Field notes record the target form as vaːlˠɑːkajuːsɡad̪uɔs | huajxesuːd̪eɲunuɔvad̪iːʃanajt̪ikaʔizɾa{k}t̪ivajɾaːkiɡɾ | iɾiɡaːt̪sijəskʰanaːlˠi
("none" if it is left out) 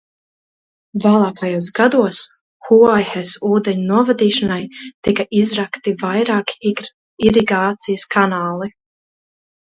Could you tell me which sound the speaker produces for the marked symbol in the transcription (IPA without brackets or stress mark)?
k